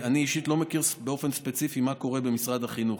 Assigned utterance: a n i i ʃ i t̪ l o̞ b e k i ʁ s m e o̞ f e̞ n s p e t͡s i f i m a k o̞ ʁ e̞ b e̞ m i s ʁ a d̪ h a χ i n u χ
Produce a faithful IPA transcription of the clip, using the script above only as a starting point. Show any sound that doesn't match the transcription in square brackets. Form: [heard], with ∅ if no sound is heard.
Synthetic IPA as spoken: a n i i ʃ i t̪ l o̞ [m] e k i ʁ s [b] e o̞ f e̞ n s p e t͡s i f i m a k o̞ ʁ e̞ b e̞ m i s ʁ a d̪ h a χ i n u χ